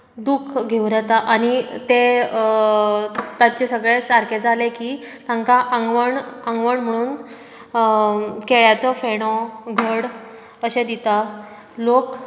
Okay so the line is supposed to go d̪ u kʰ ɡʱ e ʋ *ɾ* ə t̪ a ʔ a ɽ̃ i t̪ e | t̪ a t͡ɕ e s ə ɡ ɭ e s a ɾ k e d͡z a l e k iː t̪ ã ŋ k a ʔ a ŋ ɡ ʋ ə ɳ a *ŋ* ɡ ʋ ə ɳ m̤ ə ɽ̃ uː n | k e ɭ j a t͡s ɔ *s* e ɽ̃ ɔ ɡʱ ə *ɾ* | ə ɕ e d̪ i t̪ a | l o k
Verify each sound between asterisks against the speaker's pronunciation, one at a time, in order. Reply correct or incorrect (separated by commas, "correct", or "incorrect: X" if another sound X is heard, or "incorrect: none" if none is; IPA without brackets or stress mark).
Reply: correct, correct, incorrect: f, incorrect: ɽ